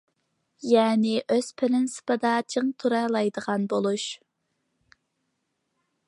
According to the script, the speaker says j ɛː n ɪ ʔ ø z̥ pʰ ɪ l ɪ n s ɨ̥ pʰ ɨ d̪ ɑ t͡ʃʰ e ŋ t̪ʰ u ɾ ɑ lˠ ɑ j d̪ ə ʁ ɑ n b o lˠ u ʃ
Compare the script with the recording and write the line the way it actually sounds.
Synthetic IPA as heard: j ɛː n ɪ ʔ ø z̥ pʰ ɪ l ɪ n s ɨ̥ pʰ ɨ d̪ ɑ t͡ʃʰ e ŋ t̪ʰ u ɾ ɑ lˠ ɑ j d̪ ə ʁ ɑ n b o lˠ u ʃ